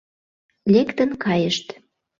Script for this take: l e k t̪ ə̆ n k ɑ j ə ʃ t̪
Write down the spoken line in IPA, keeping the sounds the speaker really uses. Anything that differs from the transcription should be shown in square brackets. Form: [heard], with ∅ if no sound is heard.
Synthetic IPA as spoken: l e k t̪ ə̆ n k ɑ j ə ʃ t̪